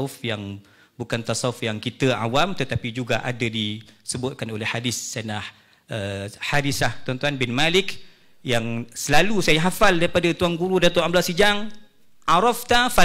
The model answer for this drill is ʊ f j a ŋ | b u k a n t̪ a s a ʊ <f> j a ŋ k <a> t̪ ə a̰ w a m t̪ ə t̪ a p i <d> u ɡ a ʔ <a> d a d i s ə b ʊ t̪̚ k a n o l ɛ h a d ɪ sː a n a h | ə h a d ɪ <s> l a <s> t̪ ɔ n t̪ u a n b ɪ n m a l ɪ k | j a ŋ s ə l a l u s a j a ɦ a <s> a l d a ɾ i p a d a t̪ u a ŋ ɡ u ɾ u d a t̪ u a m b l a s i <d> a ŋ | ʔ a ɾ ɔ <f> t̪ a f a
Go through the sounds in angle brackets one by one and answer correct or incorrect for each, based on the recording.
correct, incorrect: i, incorrect: d͡ʒ, correct, correct, incorrect: h, incorrect: f, incorrect: d͡ʒ, correct

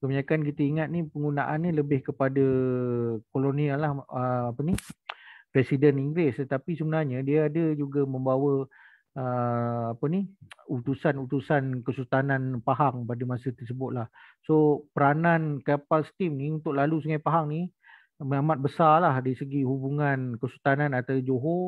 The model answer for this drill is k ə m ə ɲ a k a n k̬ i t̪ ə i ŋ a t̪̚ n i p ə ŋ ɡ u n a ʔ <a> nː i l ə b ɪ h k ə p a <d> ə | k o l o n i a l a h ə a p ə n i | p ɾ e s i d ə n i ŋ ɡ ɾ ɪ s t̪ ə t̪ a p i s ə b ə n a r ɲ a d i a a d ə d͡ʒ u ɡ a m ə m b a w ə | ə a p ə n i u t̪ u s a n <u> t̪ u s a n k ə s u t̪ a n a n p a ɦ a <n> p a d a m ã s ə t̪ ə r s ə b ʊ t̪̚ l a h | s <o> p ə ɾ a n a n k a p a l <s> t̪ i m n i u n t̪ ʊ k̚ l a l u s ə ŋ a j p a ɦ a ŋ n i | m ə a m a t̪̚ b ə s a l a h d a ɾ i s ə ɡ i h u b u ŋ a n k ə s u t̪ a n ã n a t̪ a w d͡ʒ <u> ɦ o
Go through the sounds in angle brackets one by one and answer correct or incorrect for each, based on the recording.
correct, correct, correct, incorrect: ŋ, correct, correct, incorrect: o

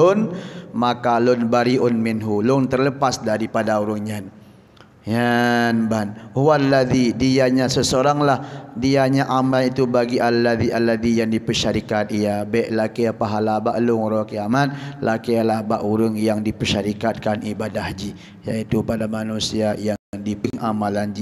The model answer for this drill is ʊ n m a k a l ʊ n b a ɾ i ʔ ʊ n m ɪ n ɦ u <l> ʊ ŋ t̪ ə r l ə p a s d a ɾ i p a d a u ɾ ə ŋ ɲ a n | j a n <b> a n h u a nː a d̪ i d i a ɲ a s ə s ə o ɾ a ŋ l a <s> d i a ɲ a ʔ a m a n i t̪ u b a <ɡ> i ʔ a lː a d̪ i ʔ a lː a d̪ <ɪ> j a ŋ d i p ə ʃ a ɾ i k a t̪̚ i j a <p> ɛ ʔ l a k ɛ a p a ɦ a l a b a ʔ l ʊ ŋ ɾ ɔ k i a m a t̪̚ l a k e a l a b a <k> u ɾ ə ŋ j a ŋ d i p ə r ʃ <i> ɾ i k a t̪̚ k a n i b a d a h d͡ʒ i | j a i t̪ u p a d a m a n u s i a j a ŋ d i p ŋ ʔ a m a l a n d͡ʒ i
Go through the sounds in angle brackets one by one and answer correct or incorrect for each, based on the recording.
correct, correct, incorrect: h, correct, incorrect: i, incorrect: b, incorrect: ʔ, incorrect: a

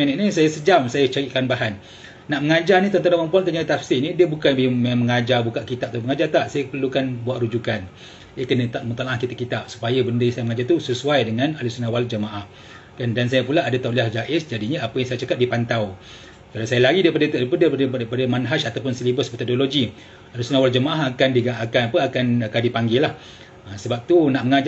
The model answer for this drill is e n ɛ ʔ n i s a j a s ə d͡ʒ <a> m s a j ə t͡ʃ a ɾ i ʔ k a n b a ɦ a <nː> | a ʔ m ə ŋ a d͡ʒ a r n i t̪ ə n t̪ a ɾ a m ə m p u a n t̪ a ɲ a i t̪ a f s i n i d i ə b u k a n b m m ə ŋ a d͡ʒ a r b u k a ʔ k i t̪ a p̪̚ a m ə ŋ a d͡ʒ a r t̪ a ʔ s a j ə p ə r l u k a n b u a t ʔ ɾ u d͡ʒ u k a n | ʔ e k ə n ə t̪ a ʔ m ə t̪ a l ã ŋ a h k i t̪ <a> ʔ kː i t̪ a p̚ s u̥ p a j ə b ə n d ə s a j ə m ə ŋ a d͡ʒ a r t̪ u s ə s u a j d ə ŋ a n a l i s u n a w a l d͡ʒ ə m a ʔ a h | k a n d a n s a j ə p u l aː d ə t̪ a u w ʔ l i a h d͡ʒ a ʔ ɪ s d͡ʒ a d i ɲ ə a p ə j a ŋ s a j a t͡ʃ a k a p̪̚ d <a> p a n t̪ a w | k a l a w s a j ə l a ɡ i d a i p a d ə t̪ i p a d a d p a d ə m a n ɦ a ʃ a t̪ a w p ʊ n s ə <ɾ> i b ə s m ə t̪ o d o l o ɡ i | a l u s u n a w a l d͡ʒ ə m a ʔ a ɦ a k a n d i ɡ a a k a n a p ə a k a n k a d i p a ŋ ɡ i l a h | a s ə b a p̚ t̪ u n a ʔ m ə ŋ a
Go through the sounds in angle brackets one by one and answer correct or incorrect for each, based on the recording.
correct, correct, correct, incorrect: i, incorrect: l

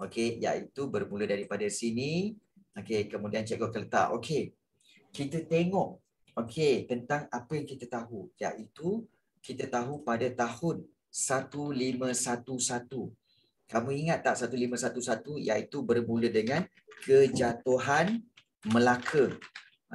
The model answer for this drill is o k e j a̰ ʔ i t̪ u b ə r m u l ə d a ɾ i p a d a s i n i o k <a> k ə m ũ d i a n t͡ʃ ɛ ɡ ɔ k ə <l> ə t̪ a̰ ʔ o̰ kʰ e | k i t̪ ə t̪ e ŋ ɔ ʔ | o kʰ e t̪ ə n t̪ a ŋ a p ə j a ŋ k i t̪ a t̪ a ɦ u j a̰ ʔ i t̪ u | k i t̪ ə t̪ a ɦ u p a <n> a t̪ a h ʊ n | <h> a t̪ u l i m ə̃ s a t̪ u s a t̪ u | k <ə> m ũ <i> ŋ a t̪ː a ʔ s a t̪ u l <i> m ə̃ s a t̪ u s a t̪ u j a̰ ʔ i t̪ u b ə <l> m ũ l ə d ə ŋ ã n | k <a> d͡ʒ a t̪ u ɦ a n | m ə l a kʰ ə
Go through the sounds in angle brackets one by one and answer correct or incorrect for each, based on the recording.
incorrect: e, correct, incorrect: d, incorrect: s, incorrect: a, correct, correct, incorrect: r, incorrect: ə

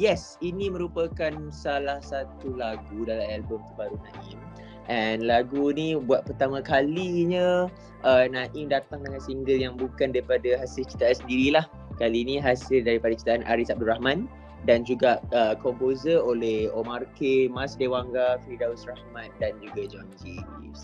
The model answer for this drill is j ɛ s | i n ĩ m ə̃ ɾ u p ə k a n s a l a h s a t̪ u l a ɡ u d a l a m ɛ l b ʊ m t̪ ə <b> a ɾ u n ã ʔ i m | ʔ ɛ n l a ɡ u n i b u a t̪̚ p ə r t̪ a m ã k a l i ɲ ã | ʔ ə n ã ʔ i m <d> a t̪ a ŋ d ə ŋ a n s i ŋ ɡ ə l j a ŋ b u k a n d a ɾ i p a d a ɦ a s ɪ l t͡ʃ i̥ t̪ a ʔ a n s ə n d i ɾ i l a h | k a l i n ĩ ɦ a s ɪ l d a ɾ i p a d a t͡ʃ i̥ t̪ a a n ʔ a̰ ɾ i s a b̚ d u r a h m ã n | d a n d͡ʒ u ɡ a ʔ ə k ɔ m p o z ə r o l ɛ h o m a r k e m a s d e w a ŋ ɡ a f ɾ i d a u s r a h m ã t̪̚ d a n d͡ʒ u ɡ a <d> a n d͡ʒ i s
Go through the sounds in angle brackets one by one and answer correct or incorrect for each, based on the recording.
correct, correct, incorrect: d͡ʒ

